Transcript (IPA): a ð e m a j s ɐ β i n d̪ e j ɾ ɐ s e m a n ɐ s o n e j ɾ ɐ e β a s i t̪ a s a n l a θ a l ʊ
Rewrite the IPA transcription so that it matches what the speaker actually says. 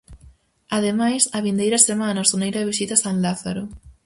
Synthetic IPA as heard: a ð e m a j s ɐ β i n d̪ e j ɾ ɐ s e m a n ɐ s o n e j ɾ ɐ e β i s i t̪ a s a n l a θ a ɾ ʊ

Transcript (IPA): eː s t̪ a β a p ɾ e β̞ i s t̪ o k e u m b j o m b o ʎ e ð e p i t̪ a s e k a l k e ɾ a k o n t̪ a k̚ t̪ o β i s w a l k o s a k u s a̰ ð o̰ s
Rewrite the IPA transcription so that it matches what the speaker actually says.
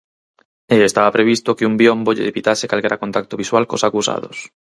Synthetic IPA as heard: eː s t̪ a β a p ɾ e β̞ i s t̪ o k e u m b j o m b o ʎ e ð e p i t̪ a s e k a l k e ɾ a k o n t̪ a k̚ t̪ o β i s w a l k o s a k u s a̰ ð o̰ s

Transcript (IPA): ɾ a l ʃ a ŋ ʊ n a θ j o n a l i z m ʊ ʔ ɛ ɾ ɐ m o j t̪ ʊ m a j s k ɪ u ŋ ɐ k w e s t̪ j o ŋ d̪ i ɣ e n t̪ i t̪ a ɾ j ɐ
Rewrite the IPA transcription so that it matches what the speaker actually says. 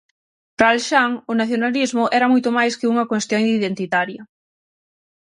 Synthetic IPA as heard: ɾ a l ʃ a ŋ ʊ n a θ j o n a l i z m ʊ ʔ ɛ ɾ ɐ m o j t̪ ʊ m a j s k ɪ u ŋ ɐ k w e s t̪ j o ŋ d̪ i ð e n t̪ i t̪ a ɾ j ɐ

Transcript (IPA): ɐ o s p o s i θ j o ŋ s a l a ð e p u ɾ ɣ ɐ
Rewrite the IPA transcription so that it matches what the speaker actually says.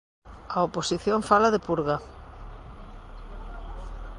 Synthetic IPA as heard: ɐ o p o s i θ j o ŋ f a l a ð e p u ɾ ɣ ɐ

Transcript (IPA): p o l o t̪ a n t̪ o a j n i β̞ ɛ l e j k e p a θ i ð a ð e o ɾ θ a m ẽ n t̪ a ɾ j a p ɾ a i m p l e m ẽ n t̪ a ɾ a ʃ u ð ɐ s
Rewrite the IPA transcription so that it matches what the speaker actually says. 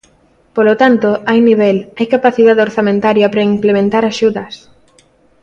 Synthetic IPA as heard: p o l o t̪ a n t̪ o a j n i β̞ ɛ l a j k a p a θ i ð a ð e o ɾ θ a m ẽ n t̪ a ɾ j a p ɾ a i m p l e m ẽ n t̪ a ɾ a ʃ u ð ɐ s

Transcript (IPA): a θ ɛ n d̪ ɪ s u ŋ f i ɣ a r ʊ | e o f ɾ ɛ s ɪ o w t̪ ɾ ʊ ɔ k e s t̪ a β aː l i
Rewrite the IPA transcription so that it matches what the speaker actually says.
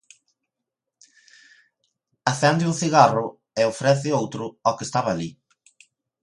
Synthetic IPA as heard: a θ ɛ n d̪ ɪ u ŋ θ i ɣ a r ʊ | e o f ɾ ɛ θ ɪ o w t̪ ɾ ʊ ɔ k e s t̪ a β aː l i

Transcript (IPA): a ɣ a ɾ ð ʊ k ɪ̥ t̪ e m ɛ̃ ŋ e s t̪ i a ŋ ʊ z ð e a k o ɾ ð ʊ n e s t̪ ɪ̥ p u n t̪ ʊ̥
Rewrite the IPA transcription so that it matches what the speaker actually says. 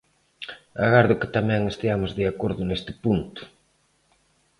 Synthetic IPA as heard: a ɣ a ɾ ð ʊ k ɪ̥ t̪ a m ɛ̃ ŋ e s t̪ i a m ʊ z ð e a k o ɾ ð ʊ n e s t̪ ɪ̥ p u n t̪ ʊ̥

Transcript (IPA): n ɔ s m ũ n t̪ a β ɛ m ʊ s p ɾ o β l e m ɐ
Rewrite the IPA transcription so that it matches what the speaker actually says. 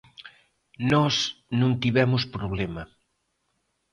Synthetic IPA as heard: n ɔ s n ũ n t̪ i β ɛ m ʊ s p ɾ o β l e m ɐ

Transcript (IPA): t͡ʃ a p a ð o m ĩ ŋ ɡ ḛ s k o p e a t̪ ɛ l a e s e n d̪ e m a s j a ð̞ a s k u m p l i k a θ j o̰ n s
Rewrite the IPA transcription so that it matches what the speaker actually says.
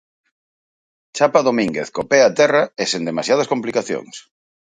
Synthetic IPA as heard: t͡ʃ a p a ð o m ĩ ŋ ɡ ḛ θ k o p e a t̪ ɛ r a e s e n d̪ e m a s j a ð̞ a s k o m p l i k a θ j o̰ ŋ s

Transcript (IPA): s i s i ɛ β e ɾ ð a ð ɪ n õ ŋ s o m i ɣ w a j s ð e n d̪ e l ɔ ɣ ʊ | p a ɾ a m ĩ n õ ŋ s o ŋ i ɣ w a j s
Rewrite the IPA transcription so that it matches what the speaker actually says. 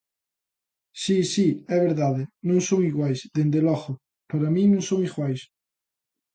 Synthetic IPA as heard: s i s i ɛ β e ɾ ð a ð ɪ n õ ŋ s o ŋ i ɣ w a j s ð e n d̪ e l ɔ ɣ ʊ | p a ɾ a m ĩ n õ ŋ s o ŋ i ɣ w a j s

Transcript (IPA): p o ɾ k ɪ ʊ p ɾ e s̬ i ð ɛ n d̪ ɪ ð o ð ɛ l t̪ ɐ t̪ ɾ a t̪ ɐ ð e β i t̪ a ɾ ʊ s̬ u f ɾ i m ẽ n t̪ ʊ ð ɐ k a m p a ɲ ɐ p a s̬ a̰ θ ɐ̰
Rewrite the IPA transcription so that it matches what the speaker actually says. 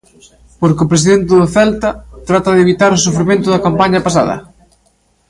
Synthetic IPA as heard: p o ɾ k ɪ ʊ p ɾ e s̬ i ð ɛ n t̪ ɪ ð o θ ɛ l t̪ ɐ t̪ ɾ a t̪ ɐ ð e β i t̪ a ɾ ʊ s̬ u f ɾ i m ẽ n t̪ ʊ ð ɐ k a m p a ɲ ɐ p a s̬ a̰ ð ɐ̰

